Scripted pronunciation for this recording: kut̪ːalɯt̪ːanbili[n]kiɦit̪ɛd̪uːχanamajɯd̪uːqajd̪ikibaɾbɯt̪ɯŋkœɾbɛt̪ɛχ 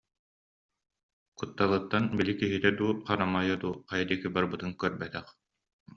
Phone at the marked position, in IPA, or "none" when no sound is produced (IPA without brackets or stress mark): none